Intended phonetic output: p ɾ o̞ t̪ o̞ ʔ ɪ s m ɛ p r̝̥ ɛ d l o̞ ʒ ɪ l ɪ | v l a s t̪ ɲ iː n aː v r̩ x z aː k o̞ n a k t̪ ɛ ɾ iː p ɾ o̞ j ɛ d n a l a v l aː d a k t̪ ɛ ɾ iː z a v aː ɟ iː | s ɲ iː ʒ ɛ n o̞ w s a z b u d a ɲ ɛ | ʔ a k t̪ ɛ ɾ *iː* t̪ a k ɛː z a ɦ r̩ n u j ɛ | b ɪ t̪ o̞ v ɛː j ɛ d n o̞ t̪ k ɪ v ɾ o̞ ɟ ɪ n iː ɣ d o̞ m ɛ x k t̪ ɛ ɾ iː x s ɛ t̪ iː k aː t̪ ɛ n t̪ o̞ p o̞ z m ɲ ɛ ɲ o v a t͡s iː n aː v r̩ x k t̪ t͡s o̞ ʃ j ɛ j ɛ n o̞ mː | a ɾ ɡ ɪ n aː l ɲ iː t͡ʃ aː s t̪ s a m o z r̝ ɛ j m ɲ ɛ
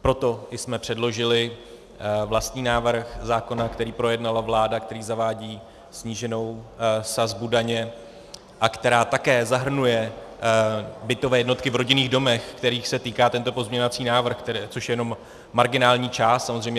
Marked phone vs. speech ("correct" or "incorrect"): incorrect